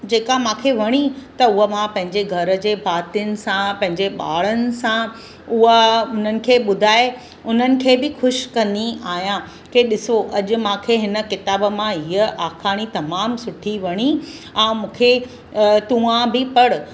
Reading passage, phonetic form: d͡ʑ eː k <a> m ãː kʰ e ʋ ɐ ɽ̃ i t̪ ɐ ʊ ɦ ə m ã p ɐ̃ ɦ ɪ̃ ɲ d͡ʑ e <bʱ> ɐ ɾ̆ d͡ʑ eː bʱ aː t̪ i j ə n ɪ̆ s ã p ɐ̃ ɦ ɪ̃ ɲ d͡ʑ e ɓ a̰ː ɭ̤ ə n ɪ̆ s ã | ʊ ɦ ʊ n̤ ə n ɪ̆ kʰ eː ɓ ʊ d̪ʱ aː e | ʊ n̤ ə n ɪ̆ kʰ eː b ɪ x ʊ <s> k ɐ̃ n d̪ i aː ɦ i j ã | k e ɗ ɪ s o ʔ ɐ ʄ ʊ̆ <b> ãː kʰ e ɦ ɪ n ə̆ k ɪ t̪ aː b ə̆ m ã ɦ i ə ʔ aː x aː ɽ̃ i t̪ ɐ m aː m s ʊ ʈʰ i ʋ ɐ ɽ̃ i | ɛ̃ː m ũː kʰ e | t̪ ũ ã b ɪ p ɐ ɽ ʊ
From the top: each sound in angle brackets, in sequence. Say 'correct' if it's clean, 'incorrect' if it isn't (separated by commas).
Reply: correct, incorrect, incorrect, incorrect